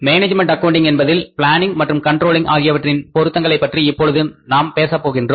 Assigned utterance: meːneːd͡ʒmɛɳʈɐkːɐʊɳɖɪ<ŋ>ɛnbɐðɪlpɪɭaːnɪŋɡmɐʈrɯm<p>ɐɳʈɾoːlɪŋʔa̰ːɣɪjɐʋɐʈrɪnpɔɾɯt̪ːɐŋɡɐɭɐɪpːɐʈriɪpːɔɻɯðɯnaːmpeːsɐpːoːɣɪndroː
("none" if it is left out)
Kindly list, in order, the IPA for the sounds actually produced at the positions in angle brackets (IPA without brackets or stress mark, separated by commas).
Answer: ŋ, k